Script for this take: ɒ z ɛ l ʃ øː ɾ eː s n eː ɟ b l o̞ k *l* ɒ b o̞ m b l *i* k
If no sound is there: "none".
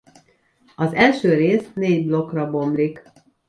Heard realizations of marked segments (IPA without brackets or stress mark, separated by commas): r, i